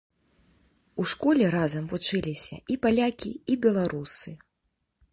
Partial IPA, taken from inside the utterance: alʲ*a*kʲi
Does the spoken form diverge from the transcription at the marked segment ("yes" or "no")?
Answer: no